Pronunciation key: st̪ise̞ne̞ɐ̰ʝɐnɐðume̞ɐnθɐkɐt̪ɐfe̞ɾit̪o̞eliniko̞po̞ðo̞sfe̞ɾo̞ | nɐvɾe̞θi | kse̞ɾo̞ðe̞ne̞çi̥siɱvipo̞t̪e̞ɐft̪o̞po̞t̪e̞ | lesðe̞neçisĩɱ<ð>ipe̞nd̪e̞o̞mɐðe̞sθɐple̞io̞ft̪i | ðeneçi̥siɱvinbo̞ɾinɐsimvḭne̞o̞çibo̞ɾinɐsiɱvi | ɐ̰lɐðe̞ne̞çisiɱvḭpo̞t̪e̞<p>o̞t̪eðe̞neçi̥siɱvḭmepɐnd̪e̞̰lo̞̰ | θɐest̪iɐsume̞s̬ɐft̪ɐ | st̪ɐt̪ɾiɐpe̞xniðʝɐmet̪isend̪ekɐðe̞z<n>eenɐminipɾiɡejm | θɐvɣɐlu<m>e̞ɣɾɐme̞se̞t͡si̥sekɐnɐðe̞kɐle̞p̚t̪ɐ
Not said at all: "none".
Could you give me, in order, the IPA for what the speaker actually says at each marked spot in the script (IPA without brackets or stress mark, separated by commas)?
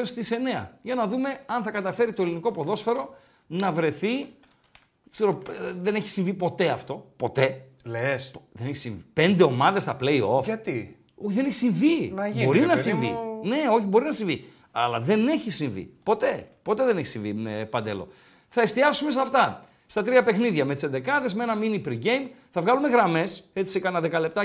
v, p, m, m